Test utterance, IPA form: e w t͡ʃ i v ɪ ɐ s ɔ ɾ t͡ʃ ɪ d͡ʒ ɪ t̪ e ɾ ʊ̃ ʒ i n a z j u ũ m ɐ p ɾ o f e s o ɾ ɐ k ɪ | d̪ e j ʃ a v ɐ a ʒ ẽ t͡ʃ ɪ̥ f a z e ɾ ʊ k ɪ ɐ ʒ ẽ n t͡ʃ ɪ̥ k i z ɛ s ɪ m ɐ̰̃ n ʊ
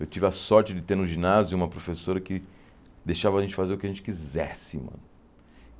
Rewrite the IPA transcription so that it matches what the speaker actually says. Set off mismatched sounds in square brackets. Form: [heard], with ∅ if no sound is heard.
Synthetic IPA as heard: e w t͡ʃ i v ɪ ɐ s ɔ ɾ t͡ʃ ɪ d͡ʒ ɪ t̪ e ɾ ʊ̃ ʒ i n a z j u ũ m ɐ p ɾ o f e s o ɾ ɐ k ɪ | d̪ e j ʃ a v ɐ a ʒ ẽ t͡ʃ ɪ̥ f a z e ɾ ʊ k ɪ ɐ ʒ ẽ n t͡ʃ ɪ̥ k i z ɛ s ɪ m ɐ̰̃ n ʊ